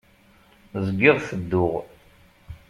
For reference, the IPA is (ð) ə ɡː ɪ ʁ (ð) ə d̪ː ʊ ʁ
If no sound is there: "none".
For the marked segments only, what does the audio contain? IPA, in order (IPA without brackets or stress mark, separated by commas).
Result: z, θ